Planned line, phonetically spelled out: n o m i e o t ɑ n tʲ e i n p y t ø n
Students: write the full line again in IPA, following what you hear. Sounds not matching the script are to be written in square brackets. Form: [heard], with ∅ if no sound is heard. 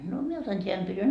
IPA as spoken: n o m i e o t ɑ n tʲ e [æ] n p y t [y] n